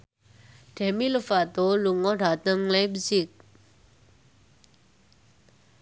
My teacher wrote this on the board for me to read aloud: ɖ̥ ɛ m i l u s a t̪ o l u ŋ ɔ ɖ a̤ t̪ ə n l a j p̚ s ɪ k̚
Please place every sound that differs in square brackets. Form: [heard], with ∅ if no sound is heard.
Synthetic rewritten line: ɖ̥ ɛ m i l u [f] a t̪ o l u ŋ ɔ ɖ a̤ t̪ ə [ŋ] l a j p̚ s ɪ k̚